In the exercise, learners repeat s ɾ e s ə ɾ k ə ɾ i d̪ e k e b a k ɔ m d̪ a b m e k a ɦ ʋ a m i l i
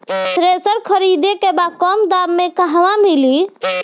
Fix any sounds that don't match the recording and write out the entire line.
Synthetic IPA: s ɾ e s ə ɾ kʰ ə ɾ i d̪ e k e b a k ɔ m d̪ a b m e k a ɦ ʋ a m i l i

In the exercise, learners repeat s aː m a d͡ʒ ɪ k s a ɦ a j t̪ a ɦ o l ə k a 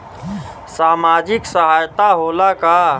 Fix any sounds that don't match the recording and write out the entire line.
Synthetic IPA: s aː m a d͡ʒ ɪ k s ə ɦ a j t̪ a ɦ o l a k a

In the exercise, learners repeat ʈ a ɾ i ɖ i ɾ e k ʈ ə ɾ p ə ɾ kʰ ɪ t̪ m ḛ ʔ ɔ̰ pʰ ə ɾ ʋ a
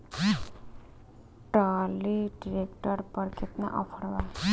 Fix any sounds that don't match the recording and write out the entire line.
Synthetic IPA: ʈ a l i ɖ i ɾ e k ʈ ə ɾ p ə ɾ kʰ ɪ t̪ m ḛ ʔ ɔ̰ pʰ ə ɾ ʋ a

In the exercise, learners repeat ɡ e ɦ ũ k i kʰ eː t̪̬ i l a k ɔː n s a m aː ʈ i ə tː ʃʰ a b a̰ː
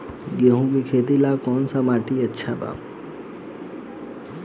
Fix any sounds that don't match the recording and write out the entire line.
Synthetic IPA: ɡ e ɦ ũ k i kʰ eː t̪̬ i l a k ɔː n s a m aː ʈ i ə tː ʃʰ a b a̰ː

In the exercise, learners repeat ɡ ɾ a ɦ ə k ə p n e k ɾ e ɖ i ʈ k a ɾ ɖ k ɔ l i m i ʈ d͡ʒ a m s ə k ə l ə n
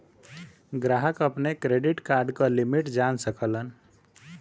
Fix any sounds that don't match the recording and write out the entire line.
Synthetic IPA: ɡ ɾ a ɦ ə k ə p n e k ɾ e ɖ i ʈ k a ɾ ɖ k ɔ l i m i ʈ d͡ʒ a n s ə k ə l ə n

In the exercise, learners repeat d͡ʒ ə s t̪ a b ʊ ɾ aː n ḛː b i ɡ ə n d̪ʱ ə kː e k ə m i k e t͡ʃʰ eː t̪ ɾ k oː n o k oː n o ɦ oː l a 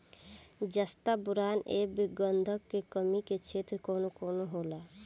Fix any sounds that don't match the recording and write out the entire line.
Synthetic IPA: d͡ʒ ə s t̪ a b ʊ ɾ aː n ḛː b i ɡ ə n d̪ʱ ə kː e k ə m i k e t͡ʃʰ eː t̪ ɾ k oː n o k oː n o ɦ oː l a

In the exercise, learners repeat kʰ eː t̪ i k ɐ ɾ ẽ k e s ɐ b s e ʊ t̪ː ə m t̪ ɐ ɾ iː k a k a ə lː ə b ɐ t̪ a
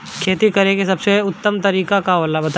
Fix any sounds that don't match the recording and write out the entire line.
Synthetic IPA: kʰ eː t̪ i k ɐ ɾ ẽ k e s ɐ b s e ʊ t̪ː ə m t̪ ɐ ɾ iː k a k a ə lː a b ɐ t̪ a

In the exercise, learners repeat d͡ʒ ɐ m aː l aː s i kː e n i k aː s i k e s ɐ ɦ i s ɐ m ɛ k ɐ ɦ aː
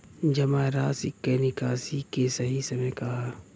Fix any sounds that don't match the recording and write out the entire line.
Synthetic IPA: d͡ʒ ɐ m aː ɾ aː s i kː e n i k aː s i k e s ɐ ɦ i s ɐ m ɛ k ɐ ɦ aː

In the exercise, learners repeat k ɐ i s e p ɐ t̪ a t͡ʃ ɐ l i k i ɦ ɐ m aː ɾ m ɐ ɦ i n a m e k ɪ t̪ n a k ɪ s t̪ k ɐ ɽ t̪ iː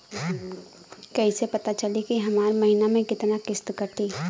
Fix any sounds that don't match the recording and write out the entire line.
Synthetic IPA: k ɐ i s e p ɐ t̪ a t͡ʃ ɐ l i k i ɦ ɐ m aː ɾ m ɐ ɦ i n a m ẽ k ɪ t̪ n a k ɪ s t̪ k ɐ ɾ t̪ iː

